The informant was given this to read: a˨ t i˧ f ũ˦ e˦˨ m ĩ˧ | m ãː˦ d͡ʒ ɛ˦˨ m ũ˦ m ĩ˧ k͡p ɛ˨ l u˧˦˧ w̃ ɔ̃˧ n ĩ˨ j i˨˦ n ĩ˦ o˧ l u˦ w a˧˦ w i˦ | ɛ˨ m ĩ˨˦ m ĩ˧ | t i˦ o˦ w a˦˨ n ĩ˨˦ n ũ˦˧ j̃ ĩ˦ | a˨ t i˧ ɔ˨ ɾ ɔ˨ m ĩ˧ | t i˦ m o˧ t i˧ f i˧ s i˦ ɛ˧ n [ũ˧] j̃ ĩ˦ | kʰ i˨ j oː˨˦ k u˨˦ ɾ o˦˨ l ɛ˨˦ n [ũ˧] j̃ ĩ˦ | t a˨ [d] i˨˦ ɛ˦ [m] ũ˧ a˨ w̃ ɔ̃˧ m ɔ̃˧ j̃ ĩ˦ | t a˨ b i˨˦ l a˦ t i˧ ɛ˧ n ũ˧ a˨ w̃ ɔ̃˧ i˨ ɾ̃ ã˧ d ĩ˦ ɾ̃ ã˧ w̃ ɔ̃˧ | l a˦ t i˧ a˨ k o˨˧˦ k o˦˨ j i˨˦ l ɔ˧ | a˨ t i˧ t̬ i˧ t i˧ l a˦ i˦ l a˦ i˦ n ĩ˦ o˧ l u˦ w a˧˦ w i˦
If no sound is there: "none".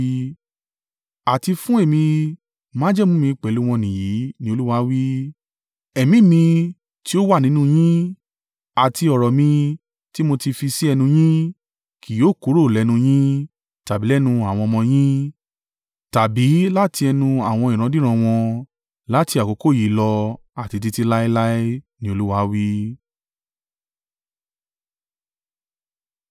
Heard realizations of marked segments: ũ˧, ũ˧, b, n

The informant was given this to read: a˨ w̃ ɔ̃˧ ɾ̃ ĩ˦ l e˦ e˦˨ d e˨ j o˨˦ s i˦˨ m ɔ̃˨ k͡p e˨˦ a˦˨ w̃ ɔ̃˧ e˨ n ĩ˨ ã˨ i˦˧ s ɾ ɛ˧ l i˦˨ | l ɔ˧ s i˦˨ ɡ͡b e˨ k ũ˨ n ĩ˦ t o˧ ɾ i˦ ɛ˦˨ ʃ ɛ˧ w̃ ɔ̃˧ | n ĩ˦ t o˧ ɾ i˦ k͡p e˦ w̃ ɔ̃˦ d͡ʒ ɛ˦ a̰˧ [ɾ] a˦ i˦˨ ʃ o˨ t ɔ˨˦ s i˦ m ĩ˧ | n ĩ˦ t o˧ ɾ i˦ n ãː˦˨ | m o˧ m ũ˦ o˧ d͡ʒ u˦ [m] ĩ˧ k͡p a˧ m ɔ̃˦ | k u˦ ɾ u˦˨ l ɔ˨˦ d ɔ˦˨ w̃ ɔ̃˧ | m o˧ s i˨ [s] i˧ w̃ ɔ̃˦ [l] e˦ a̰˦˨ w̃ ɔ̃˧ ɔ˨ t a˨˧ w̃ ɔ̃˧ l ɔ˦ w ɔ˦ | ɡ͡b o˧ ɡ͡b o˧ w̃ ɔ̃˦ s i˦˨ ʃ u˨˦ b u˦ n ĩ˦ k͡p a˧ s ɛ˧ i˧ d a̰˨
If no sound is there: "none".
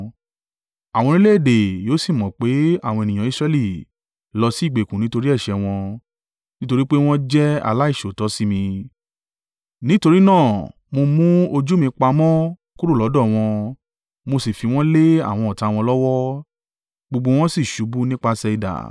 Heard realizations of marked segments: l, m, f, l

